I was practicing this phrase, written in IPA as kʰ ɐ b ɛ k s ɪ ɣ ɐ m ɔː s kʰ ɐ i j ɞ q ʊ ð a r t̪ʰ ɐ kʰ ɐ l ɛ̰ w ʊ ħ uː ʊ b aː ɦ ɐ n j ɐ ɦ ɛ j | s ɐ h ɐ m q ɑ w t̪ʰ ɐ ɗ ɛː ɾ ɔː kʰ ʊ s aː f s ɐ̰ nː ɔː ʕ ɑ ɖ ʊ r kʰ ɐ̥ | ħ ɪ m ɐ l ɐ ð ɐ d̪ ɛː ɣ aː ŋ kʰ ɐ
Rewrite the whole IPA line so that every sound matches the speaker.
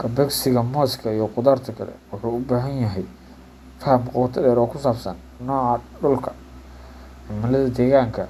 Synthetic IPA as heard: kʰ ɐ b ɛ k s ɪ ɣ ɐ m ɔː s kʰ ɐ i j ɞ q ʊ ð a r t̪ʰ ɐ kʰ ɐ l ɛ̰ w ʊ ħ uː ʊ b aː ɦ ɐ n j ɐ ɦ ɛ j | f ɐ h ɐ m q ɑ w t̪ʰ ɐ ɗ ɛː ɾ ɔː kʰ ʊ s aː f s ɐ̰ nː ɔː ʕ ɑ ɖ ʊ l kʰ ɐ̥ | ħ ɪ m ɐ l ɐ ð ɐ d̪ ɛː ɣ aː ŋ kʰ ɐ